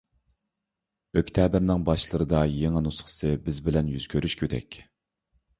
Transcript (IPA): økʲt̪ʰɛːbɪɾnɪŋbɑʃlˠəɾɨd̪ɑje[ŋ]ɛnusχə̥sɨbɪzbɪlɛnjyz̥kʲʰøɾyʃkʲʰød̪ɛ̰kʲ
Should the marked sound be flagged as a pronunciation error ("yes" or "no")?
no